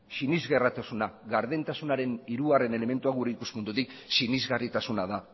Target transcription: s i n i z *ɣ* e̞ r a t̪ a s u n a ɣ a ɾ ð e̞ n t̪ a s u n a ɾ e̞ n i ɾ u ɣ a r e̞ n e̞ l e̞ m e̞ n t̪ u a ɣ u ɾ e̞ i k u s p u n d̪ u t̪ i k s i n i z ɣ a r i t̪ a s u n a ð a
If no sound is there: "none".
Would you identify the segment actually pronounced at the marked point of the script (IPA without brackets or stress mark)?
ɣ